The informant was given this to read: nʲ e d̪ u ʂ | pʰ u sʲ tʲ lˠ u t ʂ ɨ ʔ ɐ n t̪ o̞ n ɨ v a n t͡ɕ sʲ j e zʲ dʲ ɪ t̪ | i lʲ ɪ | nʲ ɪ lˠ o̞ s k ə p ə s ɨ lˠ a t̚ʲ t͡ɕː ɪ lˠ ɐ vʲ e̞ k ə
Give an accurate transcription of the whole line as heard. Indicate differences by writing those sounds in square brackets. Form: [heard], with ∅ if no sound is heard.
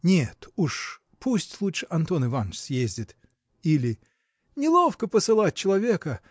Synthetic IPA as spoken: nʲ e [t̪] u ʂ | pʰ u sʲ tʲ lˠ u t ʂ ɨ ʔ ɐ n t̪ o̞ n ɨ v a n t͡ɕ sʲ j e zʲ dʲ ɪ t̪ | i lʲ ɪ | nʲ ɪ lˠ o̞ [f] k ə p ə s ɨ lˠ a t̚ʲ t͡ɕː ɪ lˠ ɐ vʲ e̞ k ə